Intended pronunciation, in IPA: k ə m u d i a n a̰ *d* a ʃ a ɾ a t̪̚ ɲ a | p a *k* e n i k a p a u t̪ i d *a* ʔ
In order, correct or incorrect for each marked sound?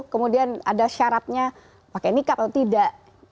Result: correct, correct, correct

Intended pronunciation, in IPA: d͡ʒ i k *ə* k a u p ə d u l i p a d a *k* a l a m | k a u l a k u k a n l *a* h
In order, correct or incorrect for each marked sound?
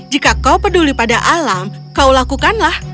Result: incorrect: a, incorrect: ʔ, correct

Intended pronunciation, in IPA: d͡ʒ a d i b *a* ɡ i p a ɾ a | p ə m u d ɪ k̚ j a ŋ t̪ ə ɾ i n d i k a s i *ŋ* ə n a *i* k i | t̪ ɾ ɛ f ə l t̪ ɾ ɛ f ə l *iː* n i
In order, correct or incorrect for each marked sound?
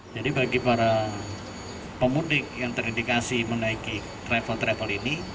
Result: correct, incorrect: m, correct, incorrect: i

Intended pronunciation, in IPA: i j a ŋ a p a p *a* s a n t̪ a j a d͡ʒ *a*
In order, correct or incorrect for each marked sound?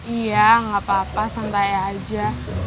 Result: correct, correct

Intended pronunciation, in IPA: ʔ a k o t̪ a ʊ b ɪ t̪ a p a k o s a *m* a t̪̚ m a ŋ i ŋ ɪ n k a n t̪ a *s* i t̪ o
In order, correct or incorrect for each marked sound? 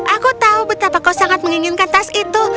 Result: incorrect: ŋ, correct

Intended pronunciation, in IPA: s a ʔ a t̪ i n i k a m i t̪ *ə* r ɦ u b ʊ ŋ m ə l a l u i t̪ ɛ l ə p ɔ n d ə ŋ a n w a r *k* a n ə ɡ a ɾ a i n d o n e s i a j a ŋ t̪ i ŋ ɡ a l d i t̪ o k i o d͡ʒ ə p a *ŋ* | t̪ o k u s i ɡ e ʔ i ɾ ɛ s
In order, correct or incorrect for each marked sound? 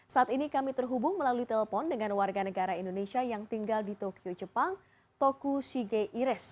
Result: correct, incorrect: ɡ, correct

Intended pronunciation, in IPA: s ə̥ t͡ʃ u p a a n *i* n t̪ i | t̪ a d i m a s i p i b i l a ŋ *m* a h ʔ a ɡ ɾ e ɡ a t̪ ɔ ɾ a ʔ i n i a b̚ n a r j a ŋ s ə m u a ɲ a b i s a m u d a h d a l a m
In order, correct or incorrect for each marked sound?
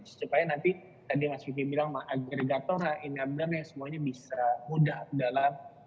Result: incorrect: a, correct

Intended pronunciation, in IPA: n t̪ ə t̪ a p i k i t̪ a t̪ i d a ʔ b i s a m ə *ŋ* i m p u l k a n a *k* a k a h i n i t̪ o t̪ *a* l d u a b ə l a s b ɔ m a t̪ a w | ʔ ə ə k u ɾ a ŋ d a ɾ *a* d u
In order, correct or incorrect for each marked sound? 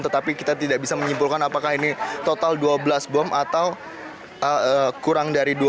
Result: incorrect: ɲ, incorrect: p, correct, incorrect: i

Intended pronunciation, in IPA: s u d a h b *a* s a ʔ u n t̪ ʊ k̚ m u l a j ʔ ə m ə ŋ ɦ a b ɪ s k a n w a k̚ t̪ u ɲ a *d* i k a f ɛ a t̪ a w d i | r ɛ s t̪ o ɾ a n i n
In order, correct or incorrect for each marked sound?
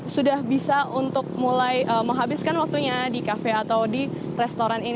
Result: incorrect: i, correct

